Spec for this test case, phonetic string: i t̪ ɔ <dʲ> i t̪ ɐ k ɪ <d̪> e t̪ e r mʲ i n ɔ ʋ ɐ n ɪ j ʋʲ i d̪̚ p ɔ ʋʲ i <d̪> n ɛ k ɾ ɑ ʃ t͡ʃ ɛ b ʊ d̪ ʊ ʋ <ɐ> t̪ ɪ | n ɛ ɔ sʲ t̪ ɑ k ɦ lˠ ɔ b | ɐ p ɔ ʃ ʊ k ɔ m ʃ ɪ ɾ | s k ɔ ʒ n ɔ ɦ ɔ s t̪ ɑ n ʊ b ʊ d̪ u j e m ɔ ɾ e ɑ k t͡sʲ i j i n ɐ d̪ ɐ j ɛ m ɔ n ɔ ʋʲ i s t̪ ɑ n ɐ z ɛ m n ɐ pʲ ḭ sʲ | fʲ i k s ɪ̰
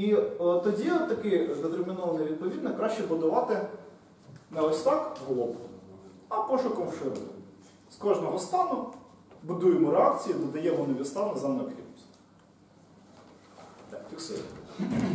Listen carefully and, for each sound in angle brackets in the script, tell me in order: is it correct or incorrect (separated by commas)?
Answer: correct, correct, correct, incorrect